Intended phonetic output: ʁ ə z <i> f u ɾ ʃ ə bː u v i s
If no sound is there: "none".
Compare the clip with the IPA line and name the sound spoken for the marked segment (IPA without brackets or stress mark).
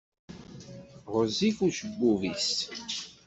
i